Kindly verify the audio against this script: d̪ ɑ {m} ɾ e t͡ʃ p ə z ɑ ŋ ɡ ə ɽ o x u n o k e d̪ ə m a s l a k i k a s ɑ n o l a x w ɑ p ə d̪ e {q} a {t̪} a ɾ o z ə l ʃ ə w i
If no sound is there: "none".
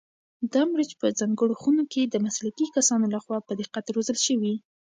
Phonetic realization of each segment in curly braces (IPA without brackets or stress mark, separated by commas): m, q, t̪